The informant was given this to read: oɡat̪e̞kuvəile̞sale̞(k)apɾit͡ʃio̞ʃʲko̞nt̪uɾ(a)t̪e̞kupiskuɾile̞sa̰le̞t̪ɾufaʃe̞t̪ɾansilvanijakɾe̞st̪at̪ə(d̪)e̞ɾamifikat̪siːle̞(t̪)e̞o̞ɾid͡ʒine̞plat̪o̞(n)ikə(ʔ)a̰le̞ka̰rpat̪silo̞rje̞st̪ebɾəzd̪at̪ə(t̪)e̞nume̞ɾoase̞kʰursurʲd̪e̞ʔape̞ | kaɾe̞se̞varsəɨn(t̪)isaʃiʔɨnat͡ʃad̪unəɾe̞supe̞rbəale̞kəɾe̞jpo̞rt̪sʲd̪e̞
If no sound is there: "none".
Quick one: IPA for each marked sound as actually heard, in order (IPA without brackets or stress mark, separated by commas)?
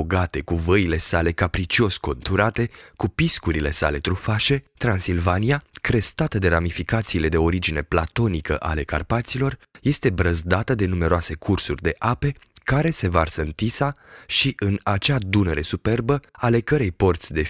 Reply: k, a, d̪, d̪, n, ʔ, d̪, t̪